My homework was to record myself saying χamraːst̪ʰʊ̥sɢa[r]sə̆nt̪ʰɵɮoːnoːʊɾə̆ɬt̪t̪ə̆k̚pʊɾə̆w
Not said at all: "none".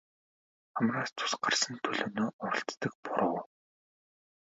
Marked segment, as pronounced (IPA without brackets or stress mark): r